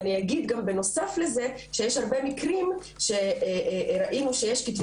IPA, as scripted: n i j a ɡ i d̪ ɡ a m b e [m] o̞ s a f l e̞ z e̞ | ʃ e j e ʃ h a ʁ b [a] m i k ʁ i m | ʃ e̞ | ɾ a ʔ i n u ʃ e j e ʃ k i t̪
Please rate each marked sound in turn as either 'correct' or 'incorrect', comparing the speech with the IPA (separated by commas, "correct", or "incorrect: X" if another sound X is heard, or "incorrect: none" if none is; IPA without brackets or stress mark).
incorrect: n, incorrect: e